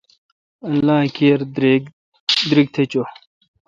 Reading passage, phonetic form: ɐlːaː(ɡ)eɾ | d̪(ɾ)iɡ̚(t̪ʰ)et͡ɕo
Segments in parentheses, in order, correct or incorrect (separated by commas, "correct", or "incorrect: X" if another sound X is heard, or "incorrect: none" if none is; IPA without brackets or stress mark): incorrect: k, correct, correct